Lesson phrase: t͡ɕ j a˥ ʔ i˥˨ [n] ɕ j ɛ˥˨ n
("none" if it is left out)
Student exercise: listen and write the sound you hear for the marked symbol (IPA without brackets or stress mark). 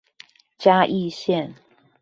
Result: none